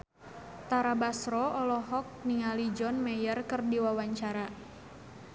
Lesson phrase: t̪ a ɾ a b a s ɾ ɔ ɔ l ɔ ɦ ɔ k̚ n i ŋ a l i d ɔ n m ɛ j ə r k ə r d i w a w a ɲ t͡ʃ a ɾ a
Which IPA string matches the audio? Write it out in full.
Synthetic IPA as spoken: t̪ a ɾ a b a s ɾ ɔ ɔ l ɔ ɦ ɔ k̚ n i ŋ a l i d͡ʒ ɔ n m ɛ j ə r k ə r d i w a w a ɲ t͡ʃ a ɾ a